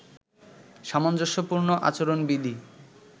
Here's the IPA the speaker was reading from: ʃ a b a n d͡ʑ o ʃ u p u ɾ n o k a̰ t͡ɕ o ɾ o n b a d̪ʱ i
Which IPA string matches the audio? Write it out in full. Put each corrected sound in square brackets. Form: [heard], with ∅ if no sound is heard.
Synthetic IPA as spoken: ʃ a [m] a n d͡ʑ o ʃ [o] p u ɾ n o [ʔ] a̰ t͡ɕ o ɾ o n b [i] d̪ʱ i